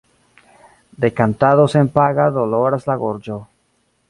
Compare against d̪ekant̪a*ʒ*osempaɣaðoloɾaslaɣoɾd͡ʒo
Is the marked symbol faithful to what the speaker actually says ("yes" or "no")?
no